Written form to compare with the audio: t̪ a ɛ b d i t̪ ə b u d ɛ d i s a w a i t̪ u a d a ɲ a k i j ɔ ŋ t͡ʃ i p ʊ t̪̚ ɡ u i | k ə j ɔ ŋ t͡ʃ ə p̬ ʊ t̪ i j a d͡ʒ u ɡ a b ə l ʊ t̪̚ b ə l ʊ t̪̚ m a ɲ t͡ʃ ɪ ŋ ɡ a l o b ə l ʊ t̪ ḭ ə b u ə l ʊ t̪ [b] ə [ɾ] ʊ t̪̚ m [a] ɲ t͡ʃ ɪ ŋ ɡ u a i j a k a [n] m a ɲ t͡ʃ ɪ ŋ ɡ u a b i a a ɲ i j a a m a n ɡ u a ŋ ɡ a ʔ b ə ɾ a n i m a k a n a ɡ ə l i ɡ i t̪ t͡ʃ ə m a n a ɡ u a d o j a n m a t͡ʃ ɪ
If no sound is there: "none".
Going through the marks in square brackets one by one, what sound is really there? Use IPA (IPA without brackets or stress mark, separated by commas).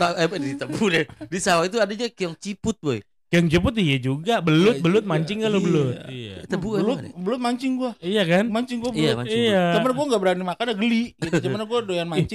b, l, a, n